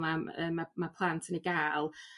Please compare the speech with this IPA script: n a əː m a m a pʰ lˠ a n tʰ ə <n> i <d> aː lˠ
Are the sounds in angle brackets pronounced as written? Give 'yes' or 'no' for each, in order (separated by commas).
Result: yes, no